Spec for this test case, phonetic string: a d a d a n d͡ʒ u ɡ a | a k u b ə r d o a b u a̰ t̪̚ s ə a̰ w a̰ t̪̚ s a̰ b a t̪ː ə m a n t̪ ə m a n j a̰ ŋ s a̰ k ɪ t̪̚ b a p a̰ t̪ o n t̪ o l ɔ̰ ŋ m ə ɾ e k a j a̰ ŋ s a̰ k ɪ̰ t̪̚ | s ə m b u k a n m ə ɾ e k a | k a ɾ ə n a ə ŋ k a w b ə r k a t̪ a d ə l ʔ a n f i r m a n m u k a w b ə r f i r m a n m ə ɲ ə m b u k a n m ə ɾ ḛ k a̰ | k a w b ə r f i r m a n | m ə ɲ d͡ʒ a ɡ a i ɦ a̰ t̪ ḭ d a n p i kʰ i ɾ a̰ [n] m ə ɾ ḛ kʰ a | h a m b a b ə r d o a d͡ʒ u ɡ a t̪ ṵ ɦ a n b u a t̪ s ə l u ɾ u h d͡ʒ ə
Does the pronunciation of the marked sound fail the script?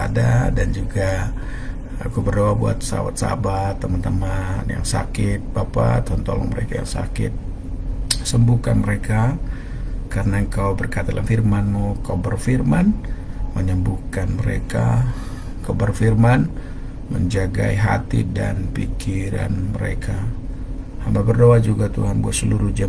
no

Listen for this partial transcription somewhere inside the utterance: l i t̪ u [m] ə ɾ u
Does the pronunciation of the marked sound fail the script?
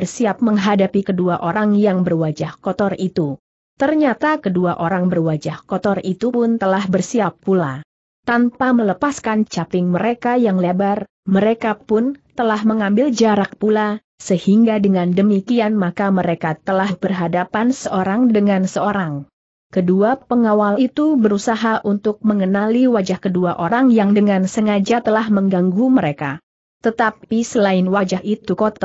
yes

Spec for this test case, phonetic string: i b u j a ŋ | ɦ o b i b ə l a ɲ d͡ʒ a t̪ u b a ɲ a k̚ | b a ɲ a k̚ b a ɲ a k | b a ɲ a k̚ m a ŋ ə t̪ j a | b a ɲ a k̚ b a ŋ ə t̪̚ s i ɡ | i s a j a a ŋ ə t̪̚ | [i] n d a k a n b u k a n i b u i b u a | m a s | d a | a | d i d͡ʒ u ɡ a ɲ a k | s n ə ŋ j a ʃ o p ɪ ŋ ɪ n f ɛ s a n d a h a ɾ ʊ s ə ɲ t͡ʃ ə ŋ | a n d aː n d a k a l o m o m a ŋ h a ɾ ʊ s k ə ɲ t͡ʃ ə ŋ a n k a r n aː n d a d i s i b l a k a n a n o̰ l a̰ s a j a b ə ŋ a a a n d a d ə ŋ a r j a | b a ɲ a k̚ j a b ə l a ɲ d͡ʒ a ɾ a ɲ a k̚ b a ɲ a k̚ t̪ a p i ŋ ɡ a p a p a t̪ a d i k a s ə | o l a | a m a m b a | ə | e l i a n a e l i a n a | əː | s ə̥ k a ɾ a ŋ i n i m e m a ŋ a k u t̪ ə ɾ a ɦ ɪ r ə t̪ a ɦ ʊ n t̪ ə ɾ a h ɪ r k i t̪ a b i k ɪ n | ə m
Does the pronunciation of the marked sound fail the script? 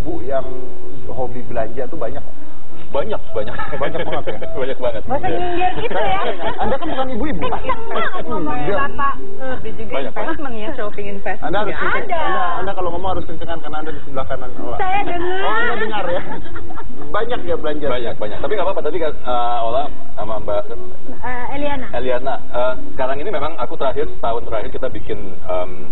yes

